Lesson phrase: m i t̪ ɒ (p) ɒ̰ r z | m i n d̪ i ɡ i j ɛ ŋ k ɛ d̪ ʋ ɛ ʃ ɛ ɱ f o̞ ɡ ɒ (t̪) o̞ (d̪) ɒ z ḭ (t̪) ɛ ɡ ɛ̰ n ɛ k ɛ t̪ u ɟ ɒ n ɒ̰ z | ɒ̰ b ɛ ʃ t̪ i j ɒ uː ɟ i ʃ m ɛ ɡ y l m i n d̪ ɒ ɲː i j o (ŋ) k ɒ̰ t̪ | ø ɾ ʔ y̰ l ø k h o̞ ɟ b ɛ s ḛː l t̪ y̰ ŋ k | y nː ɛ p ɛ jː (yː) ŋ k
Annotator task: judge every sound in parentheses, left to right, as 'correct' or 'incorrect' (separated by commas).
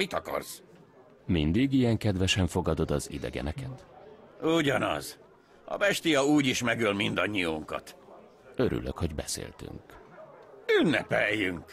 incorrect, incorrect, correct, incorrect, correct, incorrect